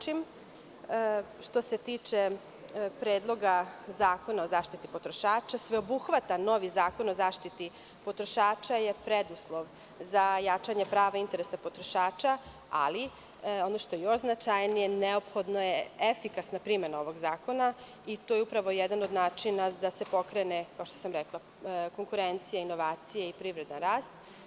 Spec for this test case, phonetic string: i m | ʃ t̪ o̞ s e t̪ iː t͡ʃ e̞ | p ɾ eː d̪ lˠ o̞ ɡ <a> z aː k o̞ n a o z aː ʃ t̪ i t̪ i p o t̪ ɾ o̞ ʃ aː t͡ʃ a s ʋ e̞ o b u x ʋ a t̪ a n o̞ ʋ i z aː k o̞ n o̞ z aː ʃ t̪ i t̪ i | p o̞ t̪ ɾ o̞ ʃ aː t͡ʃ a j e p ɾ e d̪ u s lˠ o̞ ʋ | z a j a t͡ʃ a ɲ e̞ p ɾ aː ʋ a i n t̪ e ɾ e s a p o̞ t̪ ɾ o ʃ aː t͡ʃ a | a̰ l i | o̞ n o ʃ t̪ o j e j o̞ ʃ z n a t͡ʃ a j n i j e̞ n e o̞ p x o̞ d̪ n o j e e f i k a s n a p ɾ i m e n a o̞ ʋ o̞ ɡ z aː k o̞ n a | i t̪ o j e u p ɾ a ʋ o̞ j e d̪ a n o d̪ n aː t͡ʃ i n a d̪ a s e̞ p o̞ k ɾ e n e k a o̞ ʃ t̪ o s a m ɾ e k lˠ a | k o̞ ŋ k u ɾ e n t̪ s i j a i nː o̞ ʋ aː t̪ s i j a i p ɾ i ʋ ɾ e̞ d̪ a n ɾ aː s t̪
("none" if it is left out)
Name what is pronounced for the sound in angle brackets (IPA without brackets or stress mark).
a